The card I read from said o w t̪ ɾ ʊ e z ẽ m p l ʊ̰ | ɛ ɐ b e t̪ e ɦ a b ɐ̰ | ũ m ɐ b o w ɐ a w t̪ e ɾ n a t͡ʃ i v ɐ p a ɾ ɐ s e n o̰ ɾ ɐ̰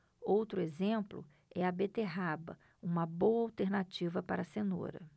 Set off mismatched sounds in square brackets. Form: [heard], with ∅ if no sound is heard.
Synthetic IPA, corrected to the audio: o w t̪ ɾ ʊ e z ẽ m p l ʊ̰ | ɛ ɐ b e t̪ e ɦ a b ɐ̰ | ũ m ɐ b o w ɐ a w t̪ e ɾ n a t͡ʃ i v ɐ p a ɾ ɐ s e n o̰ ɾ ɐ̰